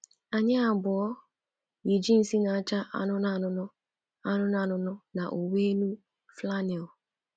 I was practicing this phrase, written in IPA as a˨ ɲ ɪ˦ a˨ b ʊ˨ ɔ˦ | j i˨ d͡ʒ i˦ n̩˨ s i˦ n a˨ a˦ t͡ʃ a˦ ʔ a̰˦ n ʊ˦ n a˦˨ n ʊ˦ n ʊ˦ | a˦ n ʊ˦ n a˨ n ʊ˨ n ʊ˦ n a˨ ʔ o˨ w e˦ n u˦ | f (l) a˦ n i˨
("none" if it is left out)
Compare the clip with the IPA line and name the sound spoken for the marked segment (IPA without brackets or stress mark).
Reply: l